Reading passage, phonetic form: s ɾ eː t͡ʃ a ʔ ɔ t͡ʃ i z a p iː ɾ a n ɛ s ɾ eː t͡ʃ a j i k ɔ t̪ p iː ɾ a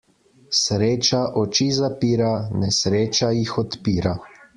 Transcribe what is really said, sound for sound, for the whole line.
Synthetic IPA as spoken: s ɾ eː t͡ʃ a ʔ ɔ t͡ʃ i z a p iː ɾ a n ɛ s ɾ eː t͡ʃ a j i x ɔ t̪ p iː ɾ a

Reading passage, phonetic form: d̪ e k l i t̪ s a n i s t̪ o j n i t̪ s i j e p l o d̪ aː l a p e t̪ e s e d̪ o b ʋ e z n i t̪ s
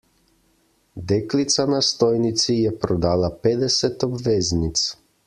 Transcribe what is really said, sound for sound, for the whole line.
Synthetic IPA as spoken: d̪ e k l i t̪ s a n a s t̪ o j n i t̪ s i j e p ɾ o d̪ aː l a p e d̪ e s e t̪ o b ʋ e z n i t̪ s

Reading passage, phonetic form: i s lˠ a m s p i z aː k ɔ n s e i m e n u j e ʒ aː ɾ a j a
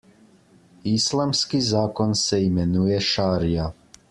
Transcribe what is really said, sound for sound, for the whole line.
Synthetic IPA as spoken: i s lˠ a m s k i z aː k o n s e i m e n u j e ʃ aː ɾ i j a

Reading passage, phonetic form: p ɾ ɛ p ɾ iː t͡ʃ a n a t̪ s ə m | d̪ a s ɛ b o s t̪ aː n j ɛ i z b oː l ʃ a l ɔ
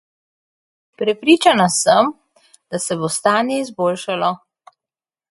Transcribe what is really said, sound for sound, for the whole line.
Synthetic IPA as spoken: p ɾ ɛ p ɾ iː t͡ʃ a n a s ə m | d̪ a s ɛ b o s t̪ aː n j ɛ i z b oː l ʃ a l ɔ

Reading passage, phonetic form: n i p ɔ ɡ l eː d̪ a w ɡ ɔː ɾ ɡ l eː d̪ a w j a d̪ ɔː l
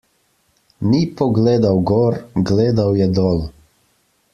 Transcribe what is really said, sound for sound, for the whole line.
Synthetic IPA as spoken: n i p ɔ ɡ l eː d̪ a w ɡ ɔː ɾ ɡ l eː d̪ a w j ɛ d̪ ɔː l

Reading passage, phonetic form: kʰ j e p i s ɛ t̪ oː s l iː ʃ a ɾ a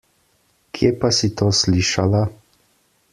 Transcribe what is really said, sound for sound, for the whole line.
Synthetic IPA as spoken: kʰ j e p a s i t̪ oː s l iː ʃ a l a

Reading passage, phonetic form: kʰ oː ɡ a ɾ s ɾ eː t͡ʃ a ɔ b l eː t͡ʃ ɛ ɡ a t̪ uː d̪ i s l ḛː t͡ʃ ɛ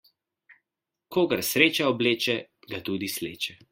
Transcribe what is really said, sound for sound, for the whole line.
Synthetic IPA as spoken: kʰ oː ɡ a ɾ s ɾ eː t͡ʃ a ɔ b l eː t͡ʃ ɛ ɡ a t̪ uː d̪ i s l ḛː t͡ʃ ɛ

